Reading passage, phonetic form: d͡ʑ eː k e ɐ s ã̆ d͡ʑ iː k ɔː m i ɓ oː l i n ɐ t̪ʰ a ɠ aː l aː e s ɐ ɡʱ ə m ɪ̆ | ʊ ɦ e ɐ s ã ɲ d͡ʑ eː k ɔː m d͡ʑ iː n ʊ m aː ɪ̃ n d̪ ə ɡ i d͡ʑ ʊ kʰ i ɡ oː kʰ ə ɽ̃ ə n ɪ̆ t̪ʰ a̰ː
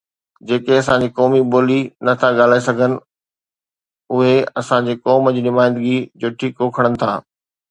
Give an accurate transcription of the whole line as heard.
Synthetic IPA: d͡ʑ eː k e ɐ s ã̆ d͡ʑ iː k ɔː m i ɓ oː l i n ɐ t̪ʰ a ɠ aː l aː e s ɐ ɡʱ ə n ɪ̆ | ʊ ɦ e ɐ s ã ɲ d͡ʑ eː k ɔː m d͡ʑ iː n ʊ m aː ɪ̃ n d̪ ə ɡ i d͡ʑ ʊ ʈʰ i k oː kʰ ə ɽ̃ ə n ɪ̆ t̪ʰ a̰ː